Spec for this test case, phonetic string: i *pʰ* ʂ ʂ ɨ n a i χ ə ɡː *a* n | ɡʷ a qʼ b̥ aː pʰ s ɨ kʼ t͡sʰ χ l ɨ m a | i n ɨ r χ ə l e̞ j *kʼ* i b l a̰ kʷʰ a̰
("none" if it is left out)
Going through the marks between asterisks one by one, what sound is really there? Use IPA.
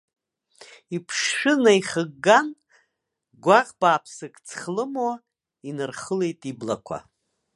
pʰ, a, tʼ

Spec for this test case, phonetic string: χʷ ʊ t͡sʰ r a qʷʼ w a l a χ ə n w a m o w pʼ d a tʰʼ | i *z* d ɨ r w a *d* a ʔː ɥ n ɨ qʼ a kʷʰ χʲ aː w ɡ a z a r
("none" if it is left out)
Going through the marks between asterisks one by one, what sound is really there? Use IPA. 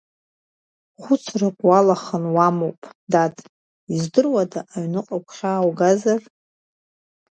z, d

